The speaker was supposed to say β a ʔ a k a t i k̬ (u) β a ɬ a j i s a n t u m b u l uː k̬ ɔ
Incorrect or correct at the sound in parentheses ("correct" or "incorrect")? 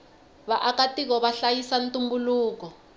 incorrect